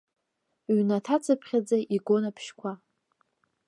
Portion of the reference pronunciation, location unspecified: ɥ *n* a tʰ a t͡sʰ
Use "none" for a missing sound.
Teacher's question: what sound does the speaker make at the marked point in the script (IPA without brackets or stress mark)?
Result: n